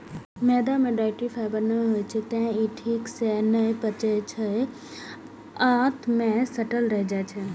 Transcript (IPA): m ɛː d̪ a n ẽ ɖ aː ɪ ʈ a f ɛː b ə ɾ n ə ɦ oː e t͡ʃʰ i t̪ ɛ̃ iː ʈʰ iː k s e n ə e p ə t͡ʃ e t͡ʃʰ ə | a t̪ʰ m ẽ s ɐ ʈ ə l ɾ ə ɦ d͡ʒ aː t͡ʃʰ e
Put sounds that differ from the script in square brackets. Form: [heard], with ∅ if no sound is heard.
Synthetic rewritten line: m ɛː d̪ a [m] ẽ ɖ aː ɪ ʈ [i] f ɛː b ə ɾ n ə ɦ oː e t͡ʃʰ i t̪ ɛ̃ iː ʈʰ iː k s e n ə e p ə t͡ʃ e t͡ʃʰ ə | a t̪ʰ m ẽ s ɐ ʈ ə l ɾ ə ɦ d͡ʒ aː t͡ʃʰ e